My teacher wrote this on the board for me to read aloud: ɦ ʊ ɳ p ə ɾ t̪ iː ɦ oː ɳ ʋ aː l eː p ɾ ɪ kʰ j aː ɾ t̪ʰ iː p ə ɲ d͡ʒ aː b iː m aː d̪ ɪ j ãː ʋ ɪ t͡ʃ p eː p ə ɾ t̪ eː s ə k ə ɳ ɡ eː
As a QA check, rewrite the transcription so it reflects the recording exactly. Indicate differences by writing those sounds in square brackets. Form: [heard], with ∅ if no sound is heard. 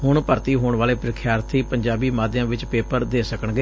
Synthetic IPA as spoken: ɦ ʊ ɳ p ə ɾ t̪ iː ɦ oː ɳ ʋ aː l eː p ɾ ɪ kʰ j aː ɾ t̪ʰ iː p ə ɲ d͡ʒ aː b iː m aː d̪ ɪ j ãː ʋ ɪ t͡ʃ p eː p ə ɾ [d̪] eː s ə k ə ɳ ɡ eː

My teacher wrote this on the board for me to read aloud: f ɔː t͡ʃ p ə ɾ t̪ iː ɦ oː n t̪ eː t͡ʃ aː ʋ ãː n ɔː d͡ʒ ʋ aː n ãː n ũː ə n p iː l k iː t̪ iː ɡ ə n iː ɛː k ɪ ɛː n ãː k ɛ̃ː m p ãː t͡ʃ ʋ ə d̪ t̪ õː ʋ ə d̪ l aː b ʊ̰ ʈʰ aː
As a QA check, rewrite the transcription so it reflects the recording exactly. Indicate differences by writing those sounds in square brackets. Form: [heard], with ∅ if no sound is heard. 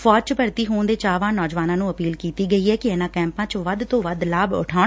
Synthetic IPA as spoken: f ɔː t͡ʃ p ə ɾ t̪ iː ɦ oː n [d̪] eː t͡ʃ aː ʋ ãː n ɔː d͡ʒ ʋ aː n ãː n ũː ə [∅] p iː l k iː t̪ iː ɡ ə [∅] iː ɛː k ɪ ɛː n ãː k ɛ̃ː m p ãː t͡ʃ ʋ ə d̪ t̪ õː ʋ ə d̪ l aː b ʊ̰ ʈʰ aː

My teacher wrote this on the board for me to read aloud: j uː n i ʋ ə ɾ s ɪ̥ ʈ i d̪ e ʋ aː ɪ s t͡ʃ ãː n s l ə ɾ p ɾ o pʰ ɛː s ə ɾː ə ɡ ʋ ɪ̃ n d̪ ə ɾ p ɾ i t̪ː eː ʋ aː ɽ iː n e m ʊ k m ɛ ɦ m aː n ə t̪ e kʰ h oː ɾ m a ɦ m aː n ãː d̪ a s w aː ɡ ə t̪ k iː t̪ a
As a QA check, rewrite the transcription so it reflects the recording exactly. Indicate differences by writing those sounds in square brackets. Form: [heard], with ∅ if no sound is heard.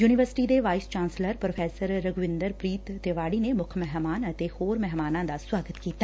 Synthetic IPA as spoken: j uː n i ʋ ə ɾ s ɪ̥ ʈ i d̪ e ʋ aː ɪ s t͡ʃ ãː n s l ə ɾ p ɾ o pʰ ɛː s ə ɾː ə ɡ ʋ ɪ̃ n d̪ ə ɾ p ɾ [iː] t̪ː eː ʋ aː ɽ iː n e m ʊ [kʰ] m ɛ ɦ m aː n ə t̪ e [∅] h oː ɾ m [ɛ] ɦ m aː n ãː d̪ a s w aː ɡ ə t̪ k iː t̪ a

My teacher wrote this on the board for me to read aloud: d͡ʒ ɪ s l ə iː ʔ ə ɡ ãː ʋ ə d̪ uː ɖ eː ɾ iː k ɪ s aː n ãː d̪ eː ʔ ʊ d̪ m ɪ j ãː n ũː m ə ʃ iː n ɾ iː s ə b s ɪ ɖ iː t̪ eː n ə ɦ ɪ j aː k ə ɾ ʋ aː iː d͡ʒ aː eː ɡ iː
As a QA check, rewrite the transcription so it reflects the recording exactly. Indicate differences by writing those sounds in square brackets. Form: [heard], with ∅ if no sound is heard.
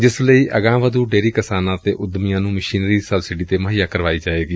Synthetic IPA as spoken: d͡ʒ ɪ s l ə iː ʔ ə ɡ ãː ʋ ə d̪ uː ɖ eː ɾ iː k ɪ s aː n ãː [t̪] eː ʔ ʊ d̪ m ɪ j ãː n ũː m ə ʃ iː n ɾ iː s ə b s ɪ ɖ iː t̪ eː [m] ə ɦ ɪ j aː k ə ɾ ʋ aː iː d͡ʒ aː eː ɡ iː

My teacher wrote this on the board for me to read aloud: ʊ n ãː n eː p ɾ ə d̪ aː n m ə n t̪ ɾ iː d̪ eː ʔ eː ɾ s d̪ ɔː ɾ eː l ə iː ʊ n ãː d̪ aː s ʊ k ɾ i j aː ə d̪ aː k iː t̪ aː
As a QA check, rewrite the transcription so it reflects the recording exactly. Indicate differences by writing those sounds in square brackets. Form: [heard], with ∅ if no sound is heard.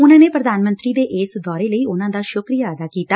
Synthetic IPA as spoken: ʊ n ãː n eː p ɾ ə d̪ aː n m ə n t̪ ɾ iː d̪ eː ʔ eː [∅] s d̪ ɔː ɾ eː l ə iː ʊ n ãː d̪ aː [ʃ] ʊ k ɾ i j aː ə d̪ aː k iː t̪ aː

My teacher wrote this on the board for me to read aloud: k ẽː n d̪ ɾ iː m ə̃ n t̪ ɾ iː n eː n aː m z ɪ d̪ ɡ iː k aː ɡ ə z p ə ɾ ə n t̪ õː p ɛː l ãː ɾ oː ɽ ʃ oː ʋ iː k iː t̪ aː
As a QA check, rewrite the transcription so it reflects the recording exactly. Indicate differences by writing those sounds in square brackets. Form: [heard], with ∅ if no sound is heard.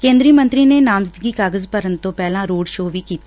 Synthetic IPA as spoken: k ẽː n d̪ ɾ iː m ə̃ n t̪ ɾ iː n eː n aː m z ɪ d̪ ɡ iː k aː ɡ ə z p ə ɾ ə n t̪ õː p ɛː l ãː ɾ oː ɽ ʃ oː ʋ iː k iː t̪ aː

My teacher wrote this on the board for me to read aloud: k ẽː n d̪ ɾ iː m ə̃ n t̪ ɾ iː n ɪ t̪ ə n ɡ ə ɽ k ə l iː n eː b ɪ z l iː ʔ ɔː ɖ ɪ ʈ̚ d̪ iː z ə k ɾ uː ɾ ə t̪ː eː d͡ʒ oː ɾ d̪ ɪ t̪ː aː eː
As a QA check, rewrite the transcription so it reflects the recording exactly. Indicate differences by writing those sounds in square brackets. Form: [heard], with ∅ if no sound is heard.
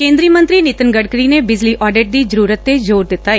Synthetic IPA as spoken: k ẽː n d̪ ɾ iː m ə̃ n t̪ ɾ iː n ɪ t̪ ə n ɡ ə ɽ k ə [ɾ] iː n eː b ɪ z l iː ʔ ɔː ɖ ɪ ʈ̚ d̪ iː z ə [∅] ɾ uː ɾ ə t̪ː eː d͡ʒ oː ɾ d̪ ɪ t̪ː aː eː

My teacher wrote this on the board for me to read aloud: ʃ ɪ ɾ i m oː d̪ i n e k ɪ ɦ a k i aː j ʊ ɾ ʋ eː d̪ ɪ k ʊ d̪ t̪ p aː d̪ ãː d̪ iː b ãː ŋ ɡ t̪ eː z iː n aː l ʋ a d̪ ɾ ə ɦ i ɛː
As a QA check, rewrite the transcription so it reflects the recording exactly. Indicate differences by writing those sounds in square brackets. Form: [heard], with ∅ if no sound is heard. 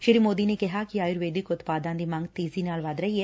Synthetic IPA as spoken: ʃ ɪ ɾ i m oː d̪ i n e k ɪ ɦ a k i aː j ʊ ɾ ʋ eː d̪ ɪ k ʊ [∅] t̪ p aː d̪ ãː d̪ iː [m] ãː ŋ ɡ t̪ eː z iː n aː l ʋ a d̪ ɾ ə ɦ i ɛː

